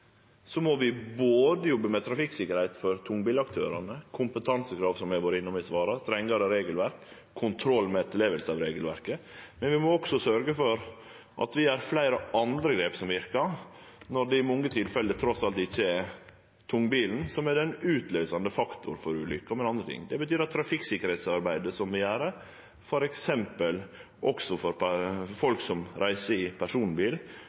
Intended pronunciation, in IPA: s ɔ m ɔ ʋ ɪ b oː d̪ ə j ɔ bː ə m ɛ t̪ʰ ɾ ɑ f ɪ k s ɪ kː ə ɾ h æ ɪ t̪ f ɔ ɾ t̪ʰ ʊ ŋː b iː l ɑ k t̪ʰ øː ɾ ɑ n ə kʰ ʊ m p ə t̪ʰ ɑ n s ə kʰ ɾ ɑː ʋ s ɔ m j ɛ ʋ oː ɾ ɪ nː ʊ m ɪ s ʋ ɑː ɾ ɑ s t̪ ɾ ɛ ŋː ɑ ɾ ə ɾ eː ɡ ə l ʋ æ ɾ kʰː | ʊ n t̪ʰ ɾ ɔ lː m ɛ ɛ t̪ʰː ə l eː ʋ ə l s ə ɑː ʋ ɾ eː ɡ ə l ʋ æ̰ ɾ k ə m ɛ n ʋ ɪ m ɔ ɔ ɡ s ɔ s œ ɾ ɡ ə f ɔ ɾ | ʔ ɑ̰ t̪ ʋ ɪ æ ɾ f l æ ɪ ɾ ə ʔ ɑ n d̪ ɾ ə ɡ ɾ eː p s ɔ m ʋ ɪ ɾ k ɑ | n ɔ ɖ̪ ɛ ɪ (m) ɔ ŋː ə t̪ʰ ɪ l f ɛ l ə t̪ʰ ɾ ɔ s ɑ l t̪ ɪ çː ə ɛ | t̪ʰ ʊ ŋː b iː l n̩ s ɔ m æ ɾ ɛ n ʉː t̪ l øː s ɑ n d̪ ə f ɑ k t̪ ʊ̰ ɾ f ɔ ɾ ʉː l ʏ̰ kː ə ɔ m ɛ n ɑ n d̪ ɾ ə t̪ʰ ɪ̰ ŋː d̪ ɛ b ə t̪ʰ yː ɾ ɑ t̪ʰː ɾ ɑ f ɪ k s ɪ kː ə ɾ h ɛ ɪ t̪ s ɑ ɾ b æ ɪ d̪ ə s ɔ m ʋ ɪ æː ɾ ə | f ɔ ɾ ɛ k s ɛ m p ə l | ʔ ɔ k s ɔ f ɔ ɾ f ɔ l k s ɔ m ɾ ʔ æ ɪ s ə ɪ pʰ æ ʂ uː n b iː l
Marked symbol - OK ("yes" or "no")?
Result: yes